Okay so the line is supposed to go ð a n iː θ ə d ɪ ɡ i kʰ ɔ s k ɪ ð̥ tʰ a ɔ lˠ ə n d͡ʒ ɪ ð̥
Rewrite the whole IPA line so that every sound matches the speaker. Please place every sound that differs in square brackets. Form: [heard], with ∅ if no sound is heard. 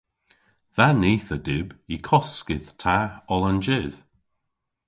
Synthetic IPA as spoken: ð a n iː θ ə d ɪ [b] i kʰ ɔ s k ɪ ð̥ tʰ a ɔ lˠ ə n d͡ʒ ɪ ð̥